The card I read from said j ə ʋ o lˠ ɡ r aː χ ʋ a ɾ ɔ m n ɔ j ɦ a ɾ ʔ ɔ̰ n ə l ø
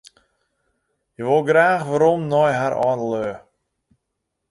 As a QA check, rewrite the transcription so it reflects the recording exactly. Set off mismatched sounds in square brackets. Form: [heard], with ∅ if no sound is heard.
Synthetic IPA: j ə ʋ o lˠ ɡ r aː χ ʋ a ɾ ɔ m n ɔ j ɦ a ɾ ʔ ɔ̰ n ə l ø